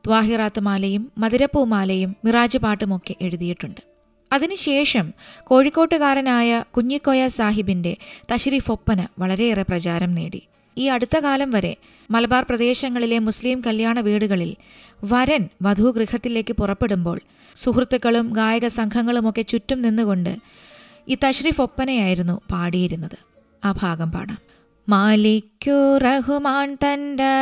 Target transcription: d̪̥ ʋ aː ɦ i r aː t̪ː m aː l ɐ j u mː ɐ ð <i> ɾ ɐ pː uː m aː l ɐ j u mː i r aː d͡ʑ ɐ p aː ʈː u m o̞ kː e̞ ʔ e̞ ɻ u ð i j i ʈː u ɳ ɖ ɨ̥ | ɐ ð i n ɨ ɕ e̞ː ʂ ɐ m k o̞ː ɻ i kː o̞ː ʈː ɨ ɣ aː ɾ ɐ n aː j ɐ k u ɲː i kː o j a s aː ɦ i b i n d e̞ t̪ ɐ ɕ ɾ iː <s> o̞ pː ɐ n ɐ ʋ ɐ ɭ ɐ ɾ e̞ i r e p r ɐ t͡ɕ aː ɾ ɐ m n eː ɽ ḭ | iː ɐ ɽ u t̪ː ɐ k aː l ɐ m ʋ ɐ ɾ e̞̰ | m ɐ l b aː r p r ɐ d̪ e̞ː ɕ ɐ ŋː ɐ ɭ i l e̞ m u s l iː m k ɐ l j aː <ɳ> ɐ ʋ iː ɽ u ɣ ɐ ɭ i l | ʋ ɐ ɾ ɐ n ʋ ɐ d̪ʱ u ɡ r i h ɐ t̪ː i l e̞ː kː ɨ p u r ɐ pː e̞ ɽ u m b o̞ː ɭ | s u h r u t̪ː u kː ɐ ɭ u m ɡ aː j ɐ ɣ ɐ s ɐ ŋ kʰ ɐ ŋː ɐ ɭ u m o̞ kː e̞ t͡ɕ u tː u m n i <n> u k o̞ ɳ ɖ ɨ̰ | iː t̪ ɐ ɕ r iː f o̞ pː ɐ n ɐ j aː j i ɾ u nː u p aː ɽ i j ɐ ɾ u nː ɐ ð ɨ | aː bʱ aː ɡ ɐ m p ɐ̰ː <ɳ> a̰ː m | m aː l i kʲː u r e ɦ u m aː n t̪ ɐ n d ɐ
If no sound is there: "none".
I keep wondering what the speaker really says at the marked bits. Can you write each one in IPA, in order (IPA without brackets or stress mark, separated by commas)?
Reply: i, f, ɳ, nː, ɳ